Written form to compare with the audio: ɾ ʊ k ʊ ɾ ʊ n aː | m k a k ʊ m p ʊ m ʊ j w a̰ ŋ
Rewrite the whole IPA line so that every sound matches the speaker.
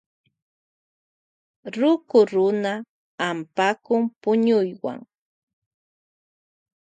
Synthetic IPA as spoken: ɾ ʊ k ʊ ɾ ʊ n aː | m p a k ʊ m p ʊ ɲ ʊ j w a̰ ŋ